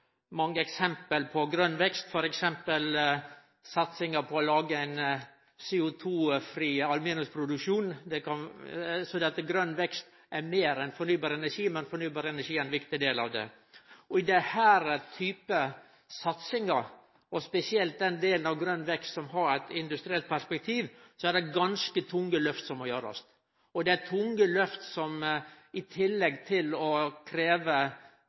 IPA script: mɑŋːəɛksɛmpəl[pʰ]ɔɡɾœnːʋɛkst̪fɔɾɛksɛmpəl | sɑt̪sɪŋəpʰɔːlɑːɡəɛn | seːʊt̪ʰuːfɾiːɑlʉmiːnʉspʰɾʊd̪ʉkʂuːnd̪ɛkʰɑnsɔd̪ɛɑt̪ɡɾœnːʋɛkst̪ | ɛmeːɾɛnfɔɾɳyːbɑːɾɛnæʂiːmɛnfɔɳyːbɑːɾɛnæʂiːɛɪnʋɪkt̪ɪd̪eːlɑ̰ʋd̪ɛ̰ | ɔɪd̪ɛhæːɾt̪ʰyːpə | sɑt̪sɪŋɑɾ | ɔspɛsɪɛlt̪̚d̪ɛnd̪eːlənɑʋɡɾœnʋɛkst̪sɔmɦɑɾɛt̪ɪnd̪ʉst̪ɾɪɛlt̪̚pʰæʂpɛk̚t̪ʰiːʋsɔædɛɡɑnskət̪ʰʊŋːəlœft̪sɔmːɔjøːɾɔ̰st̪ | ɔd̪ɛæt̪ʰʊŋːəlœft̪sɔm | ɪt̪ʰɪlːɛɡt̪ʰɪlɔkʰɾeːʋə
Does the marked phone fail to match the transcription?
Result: no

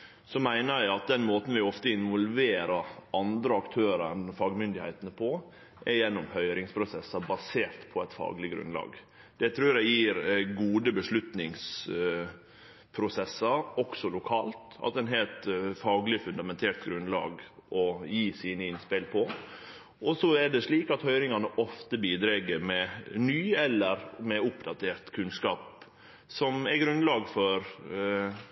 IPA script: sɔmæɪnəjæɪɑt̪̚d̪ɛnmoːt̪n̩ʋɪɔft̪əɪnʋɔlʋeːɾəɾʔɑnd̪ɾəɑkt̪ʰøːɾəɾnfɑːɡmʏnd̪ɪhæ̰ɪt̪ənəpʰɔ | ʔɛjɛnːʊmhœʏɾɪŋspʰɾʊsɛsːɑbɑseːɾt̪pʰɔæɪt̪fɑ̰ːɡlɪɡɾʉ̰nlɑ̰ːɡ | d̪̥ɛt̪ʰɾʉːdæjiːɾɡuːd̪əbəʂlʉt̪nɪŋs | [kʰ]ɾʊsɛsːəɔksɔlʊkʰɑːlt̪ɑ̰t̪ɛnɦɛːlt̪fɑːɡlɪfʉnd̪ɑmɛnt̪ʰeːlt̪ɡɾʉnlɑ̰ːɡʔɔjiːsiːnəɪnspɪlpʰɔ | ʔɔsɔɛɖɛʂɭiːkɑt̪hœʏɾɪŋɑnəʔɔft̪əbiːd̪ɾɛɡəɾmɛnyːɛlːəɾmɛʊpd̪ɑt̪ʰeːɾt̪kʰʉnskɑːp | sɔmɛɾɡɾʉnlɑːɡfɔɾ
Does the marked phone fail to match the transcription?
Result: yes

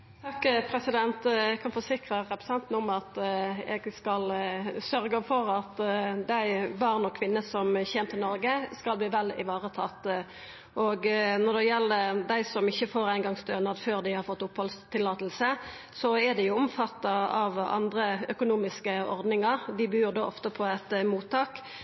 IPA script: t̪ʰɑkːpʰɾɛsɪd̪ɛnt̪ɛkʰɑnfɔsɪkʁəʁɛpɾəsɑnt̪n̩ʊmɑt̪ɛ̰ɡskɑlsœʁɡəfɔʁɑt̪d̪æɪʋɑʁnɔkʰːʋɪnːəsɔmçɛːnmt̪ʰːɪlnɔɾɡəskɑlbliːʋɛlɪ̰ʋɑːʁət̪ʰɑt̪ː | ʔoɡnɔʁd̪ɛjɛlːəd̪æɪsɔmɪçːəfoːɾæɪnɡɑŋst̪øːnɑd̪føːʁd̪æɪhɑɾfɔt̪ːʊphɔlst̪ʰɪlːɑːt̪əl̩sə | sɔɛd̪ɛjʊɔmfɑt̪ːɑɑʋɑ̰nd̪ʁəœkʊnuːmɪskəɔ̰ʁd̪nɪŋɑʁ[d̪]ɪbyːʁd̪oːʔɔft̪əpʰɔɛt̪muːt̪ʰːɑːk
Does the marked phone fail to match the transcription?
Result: no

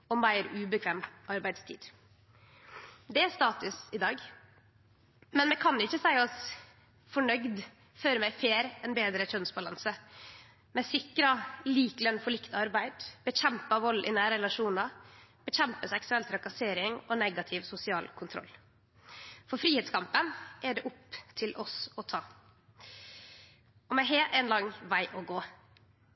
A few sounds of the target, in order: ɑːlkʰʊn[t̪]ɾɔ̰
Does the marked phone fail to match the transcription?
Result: yes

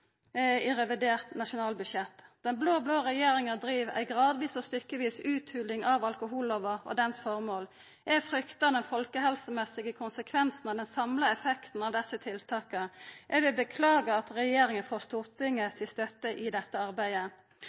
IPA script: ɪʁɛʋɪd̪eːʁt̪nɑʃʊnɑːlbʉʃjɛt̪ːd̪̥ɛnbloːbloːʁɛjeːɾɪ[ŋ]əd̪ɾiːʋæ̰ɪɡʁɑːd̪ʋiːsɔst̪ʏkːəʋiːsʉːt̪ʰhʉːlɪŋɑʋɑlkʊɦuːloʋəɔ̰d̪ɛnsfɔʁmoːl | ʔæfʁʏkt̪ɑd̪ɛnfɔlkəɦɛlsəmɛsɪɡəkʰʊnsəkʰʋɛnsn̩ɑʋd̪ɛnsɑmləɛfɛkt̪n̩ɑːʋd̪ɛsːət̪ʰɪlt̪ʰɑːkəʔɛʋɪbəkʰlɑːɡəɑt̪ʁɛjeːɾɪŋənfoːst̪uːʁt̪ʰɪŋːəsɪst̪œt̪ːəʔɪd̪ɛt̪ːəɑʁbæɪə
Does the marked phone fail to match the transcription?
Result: no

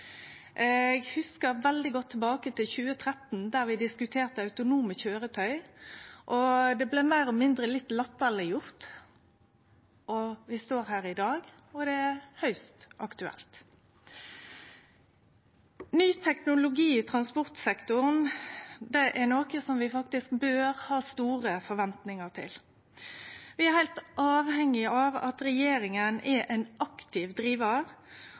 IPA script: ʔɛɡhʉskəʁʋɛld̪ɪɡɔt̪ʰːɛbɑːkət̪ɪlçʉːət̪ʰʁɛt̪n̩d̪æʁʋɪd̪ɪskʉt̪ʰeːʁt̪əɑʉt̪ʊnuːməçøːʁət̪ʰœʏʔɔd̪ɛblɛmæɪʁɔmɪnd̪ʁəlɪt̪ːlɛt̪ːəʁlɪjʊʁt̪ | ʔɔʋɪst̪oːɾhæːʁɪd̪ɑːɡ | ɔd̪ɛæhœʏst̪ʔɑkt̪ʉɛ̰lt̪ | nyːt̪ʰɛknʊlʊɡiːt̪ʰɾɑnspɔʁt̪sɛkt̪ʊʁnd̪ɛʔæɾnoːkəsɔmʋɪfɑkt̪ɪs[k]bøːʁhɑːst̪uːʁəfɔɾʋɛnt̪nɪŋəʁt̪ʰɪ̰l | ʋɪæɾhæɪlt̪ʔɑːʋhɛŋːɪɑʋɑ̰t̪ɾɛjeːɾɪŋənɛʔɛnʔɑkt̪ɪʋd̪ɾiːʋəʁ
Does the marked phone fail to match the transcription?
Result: no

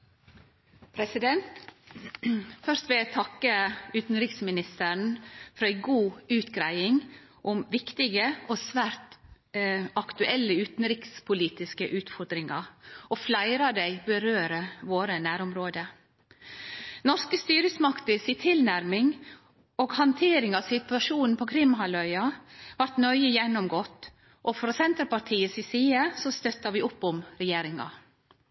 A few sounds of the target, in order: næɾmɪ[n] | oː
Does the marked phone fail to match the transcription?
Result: yes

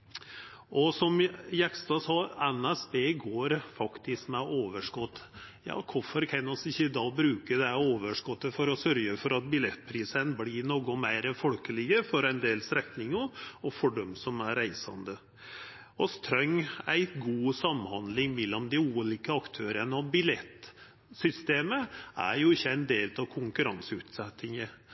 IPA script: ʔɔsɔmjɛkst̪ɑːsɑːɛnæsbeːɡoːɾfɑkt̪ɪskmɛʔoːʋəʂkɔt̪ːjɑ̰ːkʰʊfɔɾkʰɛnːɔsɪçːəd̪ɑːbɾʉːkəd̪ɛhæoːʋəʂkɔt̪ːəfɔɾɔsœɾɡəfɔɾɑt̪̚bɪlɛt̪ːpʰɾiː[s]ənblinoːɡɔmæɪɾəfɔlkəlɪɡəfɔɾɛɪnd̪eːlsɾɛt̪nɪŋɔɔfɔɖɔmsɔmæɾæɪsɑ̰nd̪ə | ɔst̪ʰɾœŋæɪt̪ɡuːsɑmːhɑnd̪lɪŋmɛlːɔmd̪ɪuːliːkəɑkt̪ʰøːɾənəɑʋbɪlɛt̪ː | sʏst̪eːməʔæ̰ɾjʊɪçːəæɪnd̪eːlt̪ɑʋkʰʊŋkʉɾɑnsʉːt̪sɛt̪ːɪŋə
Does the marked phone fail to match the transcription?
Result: no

